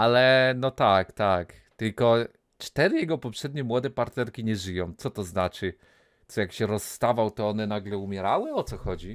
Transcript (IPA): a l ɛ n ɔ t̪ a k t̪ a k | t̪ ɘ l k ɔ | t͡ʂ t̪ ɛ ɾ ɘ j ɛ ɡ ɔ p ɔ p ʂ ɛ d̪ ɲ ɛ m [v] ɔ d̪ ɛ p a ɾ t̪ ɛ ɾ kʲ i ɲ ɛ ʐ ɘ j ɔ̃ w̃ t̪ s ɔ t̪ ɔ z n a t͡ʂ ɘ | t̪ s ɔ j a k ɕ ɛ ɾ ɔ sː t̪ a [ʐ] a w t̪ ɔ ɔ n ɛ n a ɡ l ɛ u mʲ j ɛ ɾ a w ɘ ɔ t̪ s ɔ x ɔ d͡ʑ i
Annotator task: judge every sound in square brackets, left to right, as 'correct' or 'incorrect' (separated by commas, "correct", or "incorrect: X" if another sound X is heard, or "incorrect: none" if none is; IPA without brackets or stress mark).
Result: incorrect: w, incorrect: v